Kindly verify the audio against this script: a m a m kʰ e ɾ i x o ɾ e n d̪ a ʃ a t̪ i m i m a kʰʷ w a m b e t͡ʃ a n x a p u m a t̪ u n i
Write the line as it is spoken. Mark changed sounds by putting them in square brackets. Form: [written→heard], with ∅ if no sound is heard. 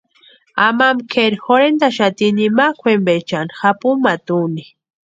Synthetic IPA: a m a m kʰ e ɾ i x o ɾ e n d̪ a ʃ a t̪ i [m→n] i m a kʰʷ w [a→e] m b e t͡ʃ a n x a p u m a t̪ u n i